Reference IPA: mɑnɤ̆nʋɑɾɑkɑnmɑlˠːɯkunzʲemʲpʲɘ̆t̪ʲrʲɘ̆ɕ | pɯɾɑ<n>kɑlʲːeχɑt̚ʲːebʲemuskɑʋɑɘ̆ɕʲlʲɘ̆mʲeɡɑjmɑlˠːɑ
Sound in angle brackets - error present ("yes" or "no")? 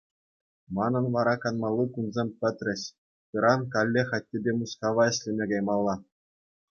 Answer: no